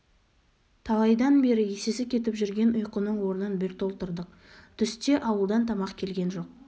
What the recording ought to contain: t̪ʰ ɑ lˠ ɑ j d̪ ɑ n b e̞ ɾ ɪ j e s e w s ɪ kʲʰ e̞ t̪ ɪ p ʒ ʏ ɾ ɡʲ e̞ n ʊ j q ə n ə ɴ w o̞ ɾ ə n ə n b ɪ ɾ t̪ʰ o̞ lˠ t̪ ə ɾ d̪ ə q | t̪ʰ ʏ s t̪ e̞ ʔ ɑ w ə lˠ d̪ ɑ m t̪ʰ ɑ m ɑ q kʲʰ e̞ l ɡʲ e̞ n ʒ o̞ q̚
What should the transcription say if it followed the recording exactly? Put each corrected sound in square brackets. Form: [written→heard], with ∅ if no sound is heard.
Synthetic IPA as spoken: t̪ʰ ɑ lˠ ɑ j d̪ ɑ n b e̞ ɾ ɪ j e s e [w→∅] s ɪ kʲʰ e̞ t̪ ɪ p ʒ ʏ ɾ ɡʲ e̞ n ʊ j q ə n ə ɴ w o̞ ɾ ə n ə n b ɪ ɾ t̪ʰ o̞ lˠ t̪ ə ɾ d̪ ə q | t̪ʰ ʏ s t̪ e̞ ʔ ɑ w ə lˠ d̪ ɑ [m→n] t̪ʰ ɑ m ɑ q kʲʰ e̞ l ɡʲ e̞ n ʒ o̞ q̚